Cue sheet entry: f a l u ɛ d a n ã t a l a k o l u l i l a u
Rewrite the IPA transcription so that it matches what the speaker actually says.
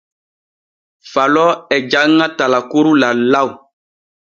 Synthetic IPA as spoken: f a l ɔ ɛ d͡ʒ a ŋ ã t a l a k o ɾ u l a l a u